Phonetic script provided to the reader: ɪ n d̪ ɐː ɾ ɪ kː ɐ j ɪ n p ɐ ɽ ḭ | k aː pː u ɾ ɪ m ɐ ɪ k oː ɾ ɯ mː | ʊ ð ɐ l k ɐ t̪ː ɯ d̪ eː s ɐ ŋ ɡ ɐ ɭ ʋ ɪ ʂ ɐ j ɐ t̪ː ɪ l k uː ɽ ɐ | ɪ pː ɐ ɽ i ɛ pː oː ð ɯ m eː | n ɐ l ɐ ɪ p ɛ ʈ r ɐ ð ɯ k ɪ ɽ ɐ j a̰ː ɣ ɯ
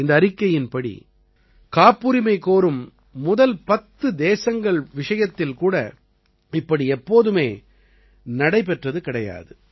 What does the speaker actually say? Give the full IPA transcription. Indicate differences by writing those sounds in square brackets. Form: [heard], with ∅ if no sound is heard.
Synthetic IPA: ɪ n d̪ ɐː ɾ ɪ kː ɐ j ɪ n p ɐ ɽ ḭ | k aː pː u ɾ ɪ m ɐ ɪ k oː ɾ ɯ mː | ʊ ð ɐ l [p] ɐ t̪ː ɯ d̪ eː s ɐ ŋ ɡ ɐ ɭ ʋ ɪ ʂ ɐ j ɐ t̪ː ɪ l k uː ɽ ɐ | ɪ pː ɐ ɽ i ɛ pː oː ð ɯ m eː | n ɐ [ɽ] ɐ ɪ p ɛ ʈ r ɐ ð ɯ k ɪ ɽ ɐ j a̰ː [ð] ɯ

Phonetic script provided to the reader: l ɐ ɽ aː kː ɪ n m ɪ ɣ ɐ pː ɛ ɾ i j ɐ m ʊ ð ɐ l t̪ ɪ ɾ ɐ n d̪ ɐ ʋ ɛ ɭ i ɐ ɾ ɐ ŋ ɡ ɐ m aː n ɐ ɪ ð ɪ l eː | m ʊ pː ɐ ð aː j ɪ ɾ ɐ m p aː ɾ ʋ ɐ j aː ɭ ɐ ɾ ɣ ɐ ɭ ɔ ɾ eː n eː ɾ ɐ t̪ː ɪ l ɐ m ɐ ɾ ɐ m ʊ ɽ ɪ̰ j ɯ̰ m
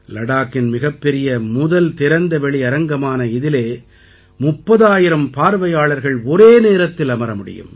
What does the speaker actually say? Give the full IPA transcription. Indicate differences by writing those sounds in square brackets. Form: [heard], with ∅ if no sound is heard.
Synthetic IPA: l ɐ ɽ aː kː ɪ n m ɪ ɣ ɐ pː ɛ ɾ [ɪ] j ɐ m ʊ ð ɐ l t̪ ɪ ɾ ɐ n d̪ ɐ ʋ ɛ ɭ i ɐ ɾ ɐ ŋ ɡ ɐ m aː n ɐ ɪ ð ɪ l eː | m ʊ pː ɐ ð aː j ɪ ɾ ɐ m p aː ɾ ʋ ɐ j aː ɭ ɐ ɾ ɣ ɐ ɭ ɔ ɾ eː n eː ɾ ɐ t̪ː ɪ l ɐ m ɐ ɾ ɐ m ʊ ɽ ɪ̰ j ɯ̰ m

